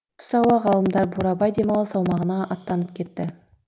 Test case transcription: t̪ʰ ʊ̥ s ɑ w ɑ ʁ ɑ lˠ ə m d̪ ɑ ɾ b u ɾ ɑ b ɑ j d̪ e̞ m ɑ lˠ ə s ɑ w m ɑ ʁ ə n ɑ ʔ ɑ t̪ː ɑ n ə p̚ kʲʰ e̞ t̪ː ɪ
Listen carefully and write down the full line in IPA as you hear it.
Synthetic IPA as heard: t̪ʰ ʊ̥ s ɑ w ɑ ʁ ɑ lˠ ə m d̪ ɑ ɾ b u ɾ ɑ b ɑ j d̪ e̞ m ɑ lˠ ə s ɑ w m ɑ ʁ ə n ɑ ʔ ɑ t̪ː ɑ n ə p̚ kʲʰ e̞ t̪ː ɪ